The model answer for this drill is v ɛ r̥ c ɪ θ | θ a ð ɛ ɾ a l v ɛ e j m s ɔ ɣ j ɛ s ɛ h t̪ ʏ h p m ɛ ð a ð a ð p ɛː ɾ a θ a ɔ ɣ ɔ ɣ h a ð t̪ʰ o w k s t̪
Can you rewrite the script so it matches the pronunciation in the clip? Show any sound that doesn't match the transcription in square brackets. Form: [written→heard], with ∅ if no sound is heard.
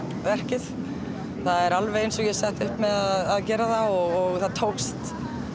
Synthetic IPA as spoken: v ɛ r̥ c ɪ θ | θ a ð ɛ ɾ a l v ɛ e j [m→n] s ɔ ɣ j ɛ s ɛ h t̪ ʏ h p m ɛ ð a ð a ð [p→c] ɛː ɾ a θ a ɔ ɣ ɔ ɣ [h→θ] a ð t̪ʰ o w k s t̪